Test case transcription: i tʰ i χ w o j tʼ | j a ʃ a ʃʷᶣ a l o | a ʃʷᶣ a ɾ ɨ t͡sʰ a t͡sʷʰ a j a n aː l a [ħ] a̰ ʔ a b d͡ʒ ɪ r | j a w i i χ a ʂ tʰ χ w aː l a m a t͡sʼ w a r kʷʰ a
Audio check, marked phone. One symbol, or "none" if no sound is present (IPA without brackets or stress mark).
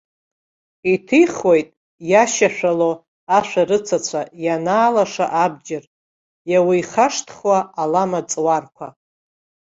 ʂ